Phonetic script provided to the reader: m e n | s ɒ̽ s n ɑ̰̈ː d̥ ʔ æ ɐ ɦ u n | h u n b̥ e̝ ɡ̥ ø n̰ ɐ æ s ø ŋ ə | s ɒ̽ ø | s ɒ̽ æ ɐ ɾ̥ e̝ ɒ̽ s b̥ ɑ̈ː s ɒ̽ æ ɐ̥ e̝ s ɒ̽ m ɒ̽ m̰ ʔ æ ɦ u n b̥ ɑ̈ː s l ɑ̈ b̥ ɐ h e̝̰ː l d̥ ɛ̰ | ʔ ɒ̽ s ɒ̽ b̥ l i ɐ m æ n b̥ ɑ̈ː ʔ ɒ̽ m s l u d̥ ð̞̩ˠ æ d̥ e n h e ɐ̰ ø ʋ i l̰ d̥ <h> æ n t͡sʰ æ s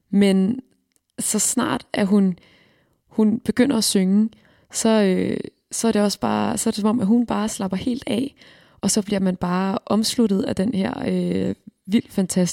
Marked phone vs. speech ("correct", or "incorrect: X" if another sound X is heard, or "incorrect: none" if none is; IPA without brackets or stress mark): incorrect: f